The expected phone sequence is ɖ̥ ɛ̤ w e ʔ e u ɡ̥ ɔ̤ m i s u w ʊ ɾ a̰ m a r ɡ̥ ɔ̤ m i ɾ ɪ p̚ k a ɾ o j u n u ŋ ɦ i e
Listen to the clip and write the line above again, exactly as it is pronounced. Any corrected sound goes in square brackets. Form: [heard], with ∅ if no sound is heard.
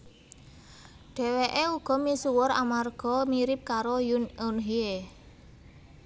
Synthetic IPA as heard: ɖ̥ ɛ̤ w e ʔ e u ɡ̥ ɔ̤ m i s u w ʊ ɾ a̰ m a r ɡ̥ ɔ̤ m i ɾ ɪ p̚ k a ɾ o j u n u [n] ɦ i e

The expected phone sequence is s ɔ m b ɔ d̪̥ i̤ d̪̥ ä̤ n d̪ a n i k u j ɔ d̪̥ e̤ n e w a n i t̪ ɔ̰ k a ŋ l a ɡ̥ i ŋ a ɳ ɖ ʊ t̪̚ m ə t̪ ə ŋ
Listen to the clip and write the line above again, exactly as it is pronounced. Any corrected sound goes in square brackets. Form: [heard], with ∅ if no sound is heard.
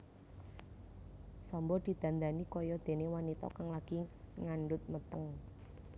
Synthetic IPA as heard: s ɔ m b ɔ d̪̥ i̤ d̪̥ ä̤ n d̪ a n i k [ɔ] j ɔ d̪̥ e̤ n e w a n i t̪ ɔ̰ k a ŋ l a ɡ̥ i ŋ a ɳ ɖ ʊ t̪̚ m ə t̪ ə ŋ

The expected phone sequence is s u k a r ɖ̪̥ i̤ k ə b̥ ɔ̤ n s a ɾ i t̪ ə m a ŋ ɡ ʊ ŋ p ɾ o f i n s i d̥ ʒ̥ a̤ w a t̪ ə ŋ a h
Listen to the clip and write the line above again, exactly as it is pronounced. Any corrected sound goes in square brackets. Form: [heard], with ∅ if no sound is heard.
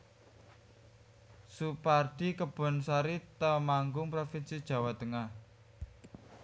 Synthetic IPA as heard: s u [p] a r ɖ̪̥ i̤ k ə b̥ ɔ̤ n s a ɾ i t̪ ə m a ŋ ɡ ʊ ŋ p ɾ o f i n s i d̥ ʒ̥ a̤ w a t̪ ə ŋ a h

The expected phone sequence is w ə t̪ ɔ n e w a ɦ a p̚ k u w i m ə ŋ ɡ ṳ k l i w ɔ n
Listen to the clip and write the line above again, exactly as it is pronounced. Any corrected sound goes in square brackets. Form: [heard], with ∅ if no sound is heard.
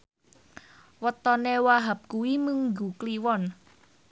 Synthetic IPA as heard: w ə t̪ ɔ n e w a ɦ a p̚ k u w i m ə ŋ ɡ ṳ k l i w ɔ n

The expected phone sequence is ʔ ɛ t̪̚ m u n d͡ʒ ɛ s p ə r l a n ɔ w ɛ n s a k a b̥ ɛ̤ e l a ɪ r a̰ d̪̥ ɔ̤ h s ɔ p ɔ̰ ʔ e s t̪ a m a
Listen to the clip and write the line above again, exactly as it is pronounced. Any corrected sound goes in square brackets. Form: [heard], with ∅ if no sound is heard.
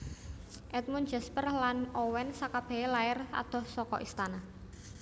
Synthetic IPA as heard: ʔ ɛ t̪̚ m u n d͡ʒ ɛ s p ə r l a n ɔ w ɛ n s a k a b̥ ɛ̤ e l a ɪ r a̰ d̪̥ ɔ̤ h s ɔ [k] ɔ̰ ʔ [i] s t̪ a [n] a

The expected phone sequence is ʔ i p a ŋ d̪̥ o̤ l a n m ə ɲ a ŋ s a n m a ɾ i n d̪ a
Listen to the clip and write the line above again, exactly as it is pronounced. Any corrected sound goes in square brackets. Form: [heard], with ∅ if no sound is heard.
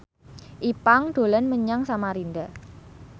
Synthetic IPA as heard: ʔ i p a ŋ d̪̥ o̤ l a n m ə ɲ a ŋ s a [∅] m a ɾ i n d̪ a

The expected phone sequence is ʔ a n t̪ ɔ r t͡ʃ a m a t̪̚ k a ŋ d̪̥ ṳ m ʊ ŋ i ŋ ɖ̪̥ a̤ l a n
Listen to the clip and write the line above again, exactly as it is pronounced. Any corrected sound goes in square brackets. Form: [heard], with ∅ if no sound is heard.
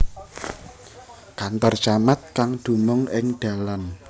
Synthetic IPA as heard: [k] a n t̪ ɔ r t͡ʃ a m a t̪̚ k a ŋ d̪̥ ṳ m ʊ ŋ [ɪ] ŋ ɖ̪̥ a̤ l a n

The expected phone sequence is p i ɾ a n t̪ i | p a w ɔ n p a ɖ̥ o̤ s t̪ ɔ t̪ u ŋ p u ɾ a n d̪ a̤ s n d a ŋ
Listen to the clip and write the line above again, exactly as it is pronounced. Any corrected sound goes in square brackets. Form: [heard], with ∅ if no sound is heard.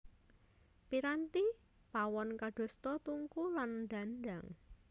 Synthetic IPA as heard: p i ɾ a n t̪ i | p a w ɔ n [k] a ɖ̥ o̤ s t̪ ɔ t̪ u ŋ [k] u [l] a n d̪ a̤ [∅] n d a ŋ

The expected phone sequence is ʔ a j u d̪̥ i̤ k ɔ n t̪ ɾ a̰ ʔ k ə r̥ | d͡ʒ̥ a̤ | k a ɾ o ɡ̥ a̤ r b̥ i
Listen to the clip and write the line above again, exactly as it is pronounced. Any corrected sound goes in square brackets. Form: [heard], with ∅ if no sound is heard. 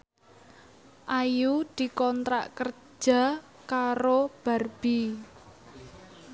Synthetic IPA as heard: ʔ a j u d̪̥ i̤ k ɔ n t̪ ɾ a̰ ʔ k ə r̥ | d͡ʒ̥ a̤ | k a ɾ o [b̥] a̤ r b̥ i

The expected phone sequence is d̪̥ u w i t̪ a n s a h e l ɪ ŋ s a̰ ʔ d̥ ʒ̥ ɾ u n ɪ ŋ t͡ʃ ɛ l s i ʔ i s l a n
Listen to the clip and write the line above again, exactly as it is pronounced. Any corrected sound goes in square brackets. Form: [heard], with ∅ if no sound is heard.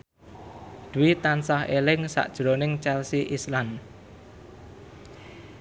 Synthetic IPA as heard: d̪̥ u w i t̪ a n s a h e l ɪ ŋ s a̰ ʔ d̥ ʒ̥ ɾ [o] n ɪ ŋ t͡ʃ ɛ l s i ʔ i s l a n

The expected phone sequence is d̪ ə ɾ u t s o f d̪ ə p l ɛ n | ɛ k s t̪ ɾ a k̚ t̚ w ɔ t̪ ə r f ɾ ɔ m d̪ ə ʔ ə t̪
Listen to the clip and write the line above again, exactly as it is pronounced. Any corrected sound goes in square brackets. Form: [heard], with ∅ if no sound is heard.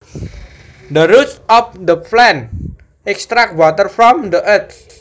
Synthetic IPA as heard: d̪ ə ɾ u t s [ɔ] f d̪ ə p l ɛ n | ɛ k s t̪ ɾ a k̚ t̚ w ɔ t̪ ə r f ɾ ɔ m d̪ ə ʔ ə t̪

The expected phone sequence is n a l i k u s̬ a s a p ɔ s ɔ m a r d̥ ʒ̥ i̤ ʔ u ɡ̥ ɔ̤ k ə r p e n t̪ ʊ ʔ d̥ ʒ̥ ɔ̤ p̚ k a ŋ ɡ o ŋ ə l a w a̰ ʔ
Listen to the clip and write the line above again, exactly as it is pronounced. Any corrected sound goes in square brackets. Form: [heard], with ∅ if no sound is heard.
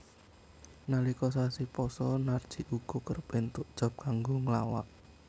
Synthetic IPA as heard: n a l i k [ɔ] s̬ a s [i] p ɔ s ɔ [n] a r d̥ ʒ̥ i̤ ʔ u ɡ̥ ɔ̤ k ə r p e n t̪ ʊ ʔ d̥ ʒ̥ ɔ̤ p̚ k a ŋ ɡ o ŋ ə l a w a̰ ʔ

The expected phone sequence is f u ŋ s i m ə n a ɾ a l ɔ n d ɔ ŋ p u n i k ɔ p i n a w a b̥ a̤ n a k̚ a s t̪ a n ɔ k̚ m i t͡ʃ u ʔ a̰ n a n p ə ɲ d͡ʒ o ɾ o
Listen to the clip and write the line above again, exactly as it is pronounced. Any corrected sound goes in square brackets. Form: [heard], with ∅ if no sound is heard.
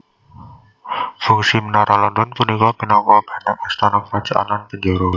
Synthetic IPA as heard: f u ŋ s i m ə n a ɾ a l ɔ n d ɔ [n] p u n i k ɔ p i n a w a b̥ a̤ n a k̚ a s t̪ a n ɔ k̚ m [a] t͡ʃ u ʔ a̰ n a n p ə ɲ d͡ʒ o ɾ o

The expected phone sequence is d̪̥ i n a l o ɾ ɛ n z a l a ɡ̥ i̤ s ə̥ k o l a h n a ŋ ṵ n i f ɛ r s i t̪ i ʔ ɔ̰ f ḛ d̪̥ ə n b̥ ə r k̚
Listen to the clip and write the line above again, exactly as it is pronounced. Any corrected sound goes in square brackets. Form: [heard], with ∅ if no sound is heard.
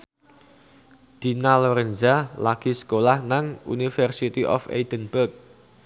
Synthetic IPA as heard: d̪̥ i n a l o ɾ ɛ n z a l a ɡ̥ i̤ s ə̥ k o l a h n a ŋ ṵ n i f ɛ r s i t̪ i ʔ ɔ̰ f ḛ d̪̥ ə n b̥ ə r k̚

